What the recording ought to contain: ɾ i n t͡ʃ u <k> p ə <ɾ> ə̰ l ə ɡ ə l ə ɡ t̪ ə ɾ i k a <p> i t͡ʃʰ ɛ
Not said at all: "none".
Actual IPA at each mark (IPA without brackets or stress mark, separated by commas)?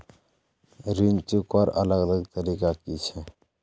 k, ɾ, k